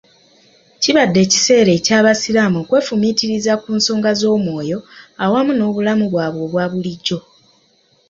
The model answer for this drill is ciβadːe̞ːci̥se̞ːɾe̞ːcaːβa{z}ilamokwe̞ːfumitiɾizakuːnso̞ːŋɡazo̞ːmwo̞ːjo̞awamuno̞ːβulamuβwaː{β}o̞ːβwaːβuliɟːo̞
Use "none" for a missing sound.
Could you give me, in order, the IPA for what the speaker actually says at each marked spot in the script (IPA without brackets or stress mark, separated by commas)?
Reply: s, β